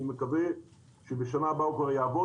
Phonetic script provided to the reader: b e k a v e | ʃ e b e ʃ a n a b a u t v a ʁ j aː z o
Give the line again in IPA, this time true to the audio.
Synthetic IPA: m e k a v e | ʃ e b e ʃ a n a b a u k v a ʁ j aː v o

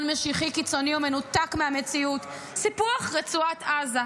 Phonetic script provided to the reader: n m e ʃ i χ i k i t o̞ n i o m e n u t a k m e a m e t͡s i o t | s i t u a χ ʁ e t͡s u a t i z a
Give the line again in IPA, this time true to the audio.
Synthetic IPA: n m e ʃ i χ i k i t͡s o̞ n i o m e n u t a k m e a m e t͡s i u t | s i p u a χ ʁ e t͡s u a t a z a

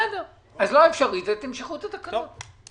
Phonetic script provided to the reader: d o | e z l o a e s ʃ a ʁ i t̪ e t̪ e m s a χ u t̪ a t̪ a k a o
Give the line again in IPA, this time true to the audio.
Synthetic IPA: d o | a z l o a e f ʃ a ʁ i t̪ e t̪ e m ʃ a χ u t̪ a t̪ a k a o

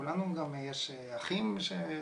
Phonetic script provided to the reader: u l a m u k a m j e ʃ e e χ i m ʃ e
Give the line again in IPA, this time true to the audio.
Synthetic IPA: u l a n u ɡ a m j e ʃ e a χ i m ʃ e

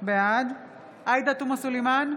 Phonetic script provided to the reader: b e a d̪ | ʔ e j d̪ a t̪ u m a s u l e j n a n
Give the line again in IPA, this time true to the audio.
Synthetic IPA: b e a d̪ | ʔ a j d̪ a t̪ u m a s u l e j m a n

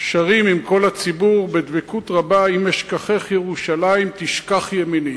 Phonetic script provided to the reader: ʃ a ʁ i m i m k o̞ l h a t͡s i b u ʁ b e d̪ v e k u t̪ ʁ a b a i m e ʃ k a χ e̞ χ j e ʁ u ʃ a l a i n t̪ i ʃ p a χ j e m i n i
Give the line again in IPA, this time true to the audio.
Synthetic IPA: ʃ a ʁ i m i m k o̞ l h a t͡s i b u ʁ b e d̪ v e k u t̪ ʁ a b a i m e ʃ k a χ e̞ χ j e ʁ u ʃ a l a i m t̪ i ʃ k a χ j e m i n i

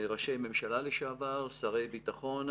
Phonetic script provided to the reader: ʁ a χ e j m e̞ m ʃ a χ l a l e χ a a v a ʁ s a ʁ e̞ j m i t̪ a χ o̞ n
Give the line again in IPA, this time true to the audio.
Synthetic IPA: ʁ a ʃ e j m e̞ m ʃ a l a l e ʃ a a v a ʁ s a ʁ e̞ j b i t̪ a χ o̞ n

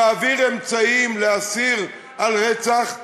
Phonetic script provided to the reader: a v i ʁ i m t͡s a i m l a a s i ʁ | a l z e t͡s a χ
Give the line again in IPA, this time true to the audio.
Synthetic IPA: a v i ʁ e m t͡s a i m l e a s i ʁ | a l ʁ e t͡s a χ

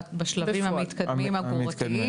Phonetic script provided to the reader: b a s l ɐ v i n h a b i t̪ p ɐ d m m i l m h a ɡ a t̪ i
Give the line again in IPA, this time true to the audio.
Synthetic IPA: b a ʃ l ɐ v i m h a m i t̪ k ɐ d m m i m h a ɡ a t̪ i

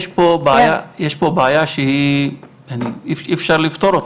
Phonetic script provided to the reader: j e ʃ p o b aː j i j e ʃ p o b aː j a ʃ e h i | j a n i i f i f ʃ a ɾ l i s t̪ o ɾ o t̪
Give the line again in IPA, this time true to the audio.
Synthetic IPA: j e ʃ p o b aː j a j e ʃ p o b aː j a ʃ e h i | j a n i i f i f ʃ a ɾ l i f t̪ o ɾ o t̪

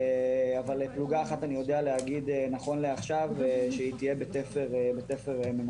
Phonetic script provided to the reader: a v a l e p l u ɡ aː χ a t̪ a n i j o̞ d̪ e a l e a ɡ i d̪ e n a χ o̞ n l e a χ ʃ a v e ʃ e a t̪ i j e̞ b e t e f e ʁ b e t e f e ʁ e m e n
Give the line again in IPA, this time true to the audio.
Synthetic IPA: a v a l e p l u ɡ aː χ a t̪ a n i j o̞ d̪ e a l e a ɡ i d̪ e n a χ o̞ n l e a χ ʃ a v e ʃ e i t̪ i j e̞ b e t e f e ʁ b e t e f e ʁ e m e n

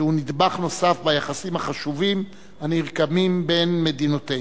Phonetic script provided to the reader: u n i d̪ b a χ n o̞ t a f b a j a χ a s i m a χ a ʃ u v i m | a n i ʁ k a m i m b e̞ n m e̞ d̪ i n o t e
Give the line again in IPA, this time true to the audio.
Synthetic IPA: u n i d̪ b a χ n o̞ s a f b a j a χ a s i m a χ a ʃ u v i m | a n i ʁ k a m i m b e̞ n m e̞ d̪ i n o t e

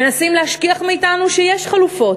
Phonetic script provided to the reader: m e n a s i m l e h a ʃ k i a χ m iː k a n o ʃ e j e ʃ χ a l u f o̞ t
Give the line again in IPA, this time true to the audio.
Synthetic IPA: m e n a s i m l e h a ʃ k i a χ m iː t a n u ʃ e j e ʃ χ a l u f o̞ t

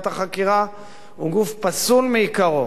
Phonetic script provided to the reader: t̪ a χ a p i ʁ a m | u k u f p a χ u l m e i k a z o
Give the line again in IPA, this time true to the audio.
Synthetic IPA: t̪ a χ a k i ʁ a | u ɡ u f p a s u l m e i k a ʁ o

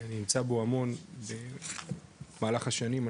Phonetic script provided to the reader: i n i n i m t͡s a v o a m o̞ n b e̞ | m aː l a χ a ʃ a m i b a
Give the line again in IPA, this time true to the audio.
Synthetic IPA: a n i n i m t͡s a b o a m o̞ n b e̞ | m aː l a χ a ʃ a n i m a

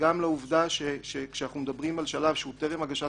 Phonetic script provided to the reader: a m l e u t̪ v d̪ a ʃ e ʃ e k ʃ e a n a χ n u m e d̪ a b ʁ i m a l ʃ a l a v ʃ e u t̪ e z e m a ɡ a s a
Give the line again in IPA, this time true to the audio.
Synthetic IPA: a m l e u v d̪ a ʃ e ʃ e k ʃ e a n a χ n u m e d̪ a b ʁ i m a l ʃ a l a v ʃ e u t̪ e ʁ e m a ɡ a ʃ a

